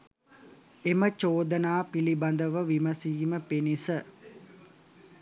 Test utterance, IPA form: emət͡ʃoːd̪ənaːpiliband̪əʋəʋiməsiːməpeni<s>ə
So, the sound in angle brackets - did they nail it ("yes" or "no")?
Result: yes